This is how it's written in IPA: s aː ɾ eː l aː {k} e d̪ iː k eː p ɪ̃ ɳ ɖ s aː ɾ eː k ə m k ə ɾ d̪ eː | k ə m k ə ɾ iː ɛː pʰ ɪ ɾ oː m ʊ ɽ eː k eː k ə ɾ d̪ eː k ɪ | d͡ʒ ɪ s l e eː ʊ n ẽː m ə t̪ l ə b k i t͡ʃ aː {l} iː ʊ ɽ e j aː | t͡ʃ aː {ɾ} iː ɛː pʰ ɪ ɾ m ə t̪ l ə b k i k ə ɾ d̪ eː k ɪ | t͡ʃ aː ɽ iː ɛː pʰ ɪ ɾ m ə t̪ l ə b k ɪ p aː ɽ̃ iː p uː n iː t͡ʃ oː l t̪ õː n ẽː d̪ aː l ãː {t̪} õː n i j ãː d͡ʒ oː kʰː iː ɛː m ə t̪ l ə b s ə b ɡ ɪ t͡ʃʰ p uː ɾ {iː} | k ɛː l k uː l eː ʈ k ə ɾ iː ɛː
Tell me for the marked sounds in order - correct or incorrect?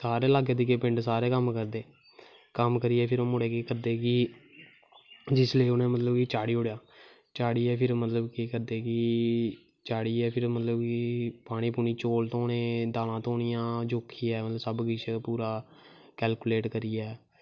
incorrect, incorrect, incorrect, correct, incorrect

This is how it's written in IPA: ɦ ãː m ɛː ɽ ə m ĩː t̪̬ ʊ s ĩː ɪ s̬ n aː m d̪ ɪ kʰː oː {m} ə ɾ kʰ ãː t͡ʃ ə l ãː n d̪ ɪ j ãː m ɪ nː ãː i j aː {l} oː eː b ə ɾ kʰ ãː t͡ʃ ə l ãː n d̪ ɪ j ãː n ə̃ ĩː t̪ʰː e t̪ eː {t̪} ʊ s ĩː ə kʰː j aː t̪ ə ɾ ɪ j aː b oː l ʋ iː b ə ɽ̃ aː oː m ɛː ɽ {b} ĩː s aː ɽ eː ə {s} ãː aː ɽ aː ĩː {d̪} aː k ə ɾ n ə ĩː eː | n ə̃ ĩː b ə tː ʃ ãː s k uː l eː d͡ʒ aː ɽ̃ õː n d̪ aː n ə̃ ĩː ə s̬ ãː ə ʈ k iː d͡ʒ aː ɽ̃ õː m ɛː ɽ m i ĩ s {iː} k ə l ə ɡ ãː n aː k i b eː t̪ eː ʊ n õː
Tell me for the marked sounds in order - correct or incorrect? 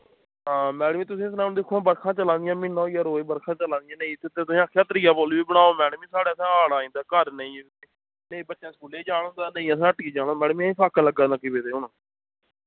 incorrect, incorrect, correct, incorrect, correct, correct, incorrect

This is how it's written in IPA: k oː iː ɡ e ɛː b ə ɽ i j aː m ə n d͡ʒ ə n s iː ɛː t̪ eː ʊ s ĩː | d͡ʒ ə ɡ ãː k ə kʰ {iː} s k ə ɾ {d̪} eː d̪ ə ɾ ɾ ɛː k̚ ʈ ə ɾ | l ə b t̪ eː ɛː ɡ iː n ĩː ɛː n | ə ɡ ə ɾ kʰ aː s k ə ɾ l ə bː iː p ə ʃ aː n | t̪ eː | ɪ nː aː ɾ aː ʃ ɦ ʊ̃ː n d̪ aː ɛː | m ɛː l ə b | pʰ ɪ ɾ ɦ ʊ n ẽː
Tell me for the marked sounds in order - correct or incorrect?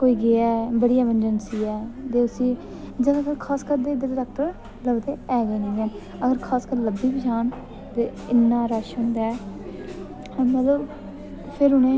incorrect, correct

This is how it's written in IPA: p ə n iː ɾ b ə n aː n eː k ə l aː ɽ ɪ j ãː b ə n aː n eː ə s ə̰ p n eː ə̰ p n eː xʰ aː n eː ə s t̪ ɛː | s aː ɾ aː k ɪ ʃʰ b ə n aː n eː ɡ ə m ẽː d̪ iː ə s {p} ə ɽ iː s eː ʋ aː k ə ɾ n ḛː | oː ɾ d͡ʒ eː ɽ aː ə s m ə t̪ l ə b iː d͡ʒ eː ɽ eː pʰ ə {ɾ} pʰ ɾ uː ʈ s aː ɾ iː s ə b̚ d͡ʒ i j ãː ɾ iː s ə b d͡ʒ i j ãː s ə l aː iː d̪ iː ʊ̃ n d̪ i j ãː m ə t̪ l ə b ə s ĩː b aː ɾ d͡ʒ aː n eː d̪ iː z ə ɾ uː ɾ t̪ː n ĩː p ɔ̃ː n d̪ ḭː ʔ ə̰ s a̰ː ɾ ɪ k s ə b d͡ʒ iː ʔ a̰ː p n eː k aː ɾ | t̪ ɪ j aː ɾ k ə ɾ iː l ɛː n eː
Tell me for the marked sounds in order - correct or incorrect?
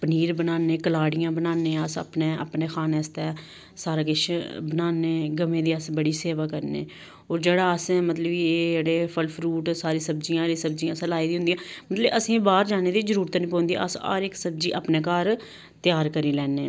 incorrect, incorrect

